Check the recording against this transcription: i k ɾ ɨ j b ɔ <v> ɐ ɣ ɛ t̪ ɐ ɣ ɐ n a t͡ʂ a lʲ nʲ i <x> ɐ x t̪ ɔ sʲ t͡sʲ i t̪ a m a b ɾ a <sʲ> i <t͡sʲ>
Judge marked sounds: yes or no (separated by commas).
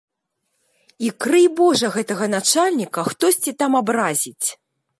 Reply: no, no, no, yes